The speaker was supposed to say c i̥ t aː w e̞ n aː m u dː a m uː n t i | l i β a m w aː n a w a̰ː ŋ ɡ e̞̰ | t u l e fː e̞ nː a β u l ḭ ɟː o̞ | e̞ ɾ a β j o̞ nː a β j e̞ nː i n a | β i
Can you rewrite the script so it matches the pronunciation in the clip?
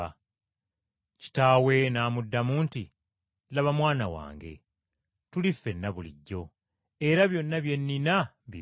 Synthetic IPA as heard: c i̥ t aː w e̞ n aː m u dː a m uː n t i | l a β a m w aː n a w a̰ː ŋ ɡ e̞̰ | t u l i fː e̞ nː a β u l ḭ ɟː o̞ | e̞ ɾ a β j o̞ nː a β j e̞ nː i n a | β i